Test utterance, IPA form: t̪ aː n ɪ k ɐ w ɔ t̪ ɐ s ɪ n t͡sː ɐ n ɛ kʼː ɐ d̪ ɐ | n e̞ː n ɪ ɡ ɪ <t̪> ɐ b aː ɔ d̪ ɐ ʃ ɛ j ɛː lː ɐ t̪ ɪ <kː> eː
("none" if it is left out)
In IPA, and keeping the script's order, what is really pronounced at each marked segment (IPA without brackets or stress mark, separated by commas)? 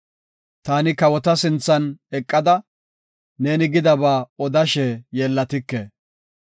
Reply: d̪, kː